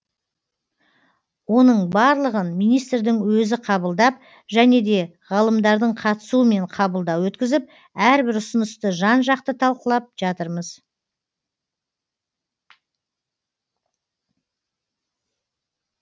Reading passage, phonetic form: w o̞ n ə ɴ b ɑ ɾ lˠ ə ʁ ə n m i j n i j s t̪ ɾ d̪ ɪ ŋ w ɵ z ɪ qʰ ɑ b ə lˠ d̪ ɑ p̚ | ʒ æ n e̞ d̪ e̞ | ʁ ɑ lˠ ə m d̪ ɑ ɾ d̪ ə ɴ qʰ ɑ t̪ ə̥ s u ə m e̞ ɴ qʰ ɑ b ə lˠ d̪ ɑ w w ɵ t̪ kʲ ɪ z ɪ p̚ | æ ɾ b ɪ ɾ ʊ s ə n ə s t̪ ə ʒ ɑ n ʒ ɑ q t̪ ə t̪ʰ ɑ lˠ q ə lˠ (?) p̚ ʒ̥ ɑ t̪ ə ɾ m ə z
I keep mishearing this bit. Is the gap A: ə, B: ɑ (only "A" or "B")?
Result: B